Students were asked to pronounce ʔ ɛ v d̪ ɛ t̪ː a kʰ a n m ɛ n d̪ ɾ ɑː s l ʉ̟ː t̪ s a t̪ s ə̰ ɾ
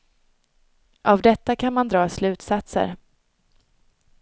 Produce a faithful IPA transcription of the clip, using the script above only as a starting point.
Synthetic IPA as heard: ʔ a v d̪ ɛ t̪ː a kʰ a n m a n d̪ ɾ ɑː s l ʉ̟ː t̪ s a t̪ s ə̰ ɾ